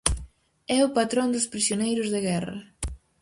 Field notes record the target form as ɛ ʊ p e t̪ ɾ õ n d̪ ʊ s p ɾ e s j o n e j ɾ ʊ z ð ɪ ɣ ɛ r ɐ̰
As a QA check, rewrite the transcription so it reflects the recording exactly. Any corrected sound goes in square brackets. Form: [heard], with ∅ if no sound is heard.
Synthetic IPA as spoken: ɛ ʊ p [a] t̪ ɾ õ n d̪ ʊ s p ɾ [i] s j o n e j ɾ ʊ z ð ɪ ɣ ɛ r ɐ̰